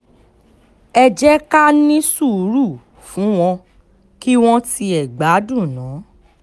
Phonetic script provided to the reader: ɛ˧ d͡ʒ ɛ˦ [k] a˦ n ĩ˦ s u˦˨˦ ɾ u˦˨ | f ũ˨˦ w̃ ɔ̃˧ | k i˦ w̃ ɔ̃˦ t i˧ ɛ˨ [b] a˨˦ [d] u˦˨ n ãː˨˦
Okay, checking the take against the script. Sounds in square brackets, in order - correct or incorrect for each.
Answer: correct, incorrect, correct

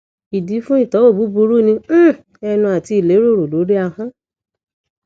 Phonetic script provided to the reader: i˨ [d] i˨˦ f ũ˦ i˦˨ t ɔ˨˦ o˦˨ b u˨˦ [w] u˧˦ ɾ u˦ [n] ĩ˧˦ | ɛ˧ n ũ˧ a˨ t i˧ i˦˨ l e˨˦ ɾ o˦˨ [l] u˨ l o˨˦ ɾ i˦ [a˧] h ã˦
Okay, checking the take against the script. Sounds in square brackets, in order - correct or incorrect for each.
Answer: correct, incorrect, correct, incorrect, correct

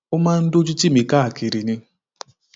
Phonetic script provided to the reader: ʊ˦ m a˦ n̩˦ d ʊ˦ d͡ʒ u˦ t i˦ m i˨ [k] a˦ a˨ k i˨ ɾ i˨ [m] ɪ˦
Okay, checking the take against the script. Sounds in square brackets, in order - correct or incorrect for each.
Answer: correct, incorrect

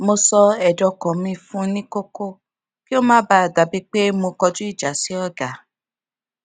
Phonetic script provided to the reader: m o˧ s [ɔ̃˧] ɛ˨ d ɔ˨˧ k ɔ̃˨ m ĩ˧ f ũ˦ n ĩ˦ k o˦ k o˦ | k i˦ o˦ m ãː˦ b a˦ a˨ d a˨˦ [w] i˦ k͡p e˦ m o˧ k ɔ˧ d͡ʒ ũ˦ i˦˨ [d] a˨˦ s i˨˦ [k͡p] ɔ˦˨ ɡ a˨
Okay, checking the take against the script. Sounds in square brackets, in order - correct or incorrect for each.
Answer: incorrect, incorrect, incorrect, incorrect

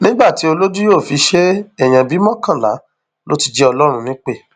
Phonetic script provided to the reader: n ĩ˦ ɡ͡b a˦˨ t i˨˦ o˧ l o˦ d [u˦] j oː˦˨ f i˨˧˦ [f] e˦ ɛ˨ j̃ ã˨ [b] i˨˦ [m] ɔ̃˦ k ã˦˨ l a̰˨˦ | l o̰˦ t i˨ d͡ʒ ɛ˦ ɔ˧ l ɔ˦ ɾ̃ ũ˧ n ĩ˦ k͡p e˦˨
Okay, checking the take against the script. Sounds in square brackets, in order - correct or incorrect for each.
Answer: correct, incorrect, correct, correct

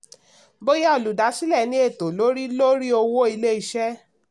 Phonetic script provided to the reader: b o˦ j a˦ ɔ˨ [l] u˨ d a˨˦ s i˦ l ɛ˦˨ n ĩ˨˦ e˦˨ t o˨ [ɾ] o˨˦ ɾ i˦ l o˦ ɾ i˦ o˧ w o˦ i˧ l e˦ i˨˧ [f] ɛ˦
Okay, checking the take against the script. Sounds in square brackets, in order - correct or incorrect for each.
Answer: correct, incorrect, incorrect

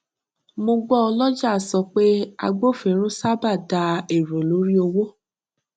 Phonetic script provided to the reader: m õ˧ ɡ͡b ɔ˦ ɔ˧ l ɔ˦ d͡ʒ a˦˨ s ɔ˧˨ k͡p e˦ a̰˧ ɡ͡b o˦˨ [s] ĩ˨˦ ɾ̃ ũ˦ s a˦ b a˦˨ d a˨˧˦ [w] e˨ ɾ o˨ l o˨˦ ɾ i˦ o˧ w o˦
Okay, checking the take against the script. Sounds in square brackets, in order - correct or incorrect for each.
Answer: incorrect, incorrect

